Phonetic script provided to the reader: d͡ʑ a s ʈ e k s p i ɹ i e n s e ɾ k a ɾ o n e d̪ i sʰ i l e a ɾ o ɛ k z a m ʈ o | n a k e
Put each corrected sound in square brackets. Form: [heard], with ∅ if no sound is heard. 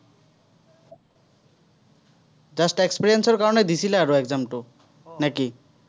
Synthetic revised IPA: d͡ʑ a s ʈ e k s p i [ɾ] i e n s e ɾ k a ɾ o n e d̪ i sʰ i l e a ɾ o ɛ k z a m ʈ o | n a k [i]